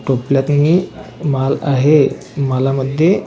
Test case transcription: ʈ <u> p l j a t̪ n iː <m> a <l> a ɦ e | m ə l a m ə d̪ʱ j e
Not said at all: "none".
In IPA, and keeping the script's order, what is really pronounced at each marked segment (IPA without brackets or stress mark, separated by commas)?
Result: o, m, l